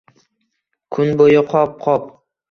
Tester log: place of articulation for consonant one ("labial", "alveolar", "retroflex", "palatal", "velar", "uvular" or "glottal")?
velar